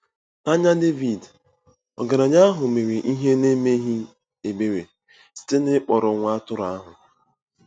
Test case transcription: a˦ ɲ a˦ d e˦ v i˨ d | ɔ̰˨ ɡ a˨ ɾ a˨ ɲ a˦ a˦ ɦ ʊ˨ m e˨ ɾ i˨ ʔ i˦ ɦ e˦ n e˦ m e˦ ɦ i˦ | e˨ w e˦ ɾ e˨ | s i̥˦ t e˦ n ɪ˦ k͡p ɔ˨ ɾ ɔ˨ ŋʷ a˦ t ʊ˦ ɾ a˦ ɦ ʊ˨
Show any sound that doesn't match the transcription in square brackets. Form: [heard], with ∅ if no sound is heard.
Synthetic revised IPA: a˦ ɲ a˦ d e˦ v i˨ d | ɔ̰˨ ɡ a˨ ɾ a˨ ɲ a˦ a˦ ɦ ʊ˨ m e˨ ɾ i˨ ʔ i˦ ɦ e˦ n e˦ m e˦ ɦ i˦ | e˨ [b] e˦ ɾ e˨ | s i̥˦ t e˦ n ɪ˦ k͡p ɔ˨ ɾ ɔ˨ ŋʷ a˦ t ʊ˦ ɾ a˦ ɦ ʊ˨

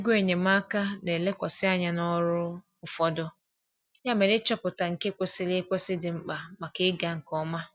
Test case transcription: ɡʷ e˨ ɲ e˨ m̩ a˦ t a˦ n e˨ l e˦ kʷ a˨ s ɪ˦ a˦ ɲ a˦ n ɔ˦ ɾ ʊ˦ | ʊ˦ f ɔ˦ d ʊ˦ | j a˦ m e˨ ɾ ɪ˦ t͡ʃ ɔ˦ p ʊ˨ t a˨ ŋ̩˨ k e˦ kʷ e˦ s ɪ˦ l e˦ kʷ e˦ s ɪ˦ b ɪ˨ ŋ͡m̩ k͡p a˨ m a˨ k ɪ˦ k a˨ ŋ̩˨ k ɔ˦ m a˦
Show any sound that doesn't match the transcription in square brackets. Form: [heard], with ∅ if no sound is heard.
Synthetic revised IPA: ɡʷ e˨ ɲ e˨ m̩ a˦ [k] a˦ n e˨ l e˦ kʷ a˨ s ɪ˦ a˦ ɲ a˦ n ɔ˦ ɾ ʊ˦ | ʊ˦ f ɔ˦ d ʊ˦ | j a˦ m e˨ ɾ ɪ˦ t͡ʃ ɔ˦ p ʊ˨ t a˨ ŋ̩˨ k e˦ kʷ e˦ s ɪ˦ l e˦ kʷ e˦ s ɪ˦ [d] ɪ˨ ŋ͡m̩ k͡p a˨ m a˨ k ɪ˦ [ɡ] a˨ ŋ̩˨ k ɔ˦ m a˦

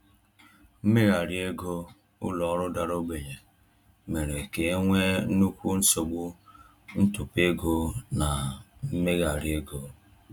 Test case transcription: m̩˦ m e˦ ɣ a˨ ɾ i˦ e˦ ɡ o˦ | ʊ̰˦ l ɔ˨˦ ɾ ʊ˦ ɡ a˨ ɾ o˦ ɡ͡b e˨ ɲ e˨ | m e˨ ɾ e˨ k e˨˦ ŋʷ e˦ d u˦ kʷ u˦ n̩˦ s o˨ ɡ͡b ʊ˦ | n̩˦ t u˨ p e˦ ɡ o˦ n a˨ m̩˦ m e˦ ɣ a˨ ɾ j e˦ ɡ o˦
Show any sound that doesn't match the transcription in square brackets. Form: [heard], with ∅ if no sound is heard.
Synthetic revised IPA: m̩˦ m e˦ ɣ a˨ ɾ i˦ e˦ ɡ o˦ | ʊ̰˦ l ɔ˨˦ ɾ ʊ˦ [d] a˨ ɾ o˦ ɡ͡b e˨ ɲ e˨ | m e˨ ɾ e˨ k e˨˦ ŋʷ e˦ [n] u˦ kʷ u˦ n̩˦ s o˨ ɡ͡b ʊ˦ | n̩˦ t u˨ p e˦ ɡ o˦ n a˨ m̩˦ m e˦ ɣ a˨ ɾ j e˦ ɡ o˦

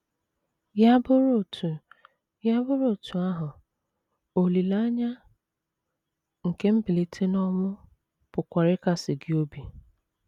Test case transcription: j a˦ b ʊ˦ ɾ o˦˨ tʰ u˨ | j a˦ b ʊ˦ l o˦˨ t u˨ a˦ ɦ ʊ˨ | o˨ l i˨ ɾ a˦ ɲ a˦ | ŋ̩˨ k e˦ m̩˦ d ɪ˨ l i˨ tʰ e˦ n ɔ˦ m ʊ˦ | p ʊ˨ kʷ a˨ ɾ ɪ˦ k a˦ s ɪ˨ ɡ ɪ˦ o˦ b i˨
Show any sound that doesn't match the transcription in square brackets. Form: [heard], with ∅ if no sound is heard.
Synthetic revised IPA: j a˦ b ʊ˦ ɾ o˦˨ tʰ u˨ | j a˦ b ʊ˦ [ɾ] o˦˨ t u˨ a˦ ɦ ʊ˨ | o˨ l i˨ [l] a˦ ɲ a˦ | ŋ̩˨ k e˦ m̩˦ [b] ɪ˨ l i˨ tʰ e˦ n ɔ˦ m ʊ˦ | p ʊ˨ kʷ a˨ ɾ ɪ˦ k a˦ s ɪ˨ ɡ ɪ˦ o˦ b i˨

